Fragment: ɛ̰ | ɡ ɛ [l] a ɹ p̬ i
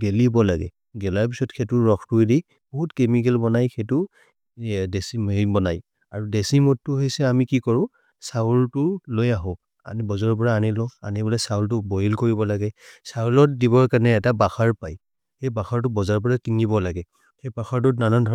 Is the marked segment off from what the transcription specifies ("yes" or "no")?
no